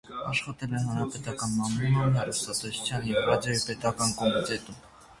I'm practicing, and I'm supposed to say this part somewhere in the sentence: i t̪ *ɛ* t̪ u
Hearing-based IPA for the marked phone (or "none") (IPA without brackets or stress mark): ɛ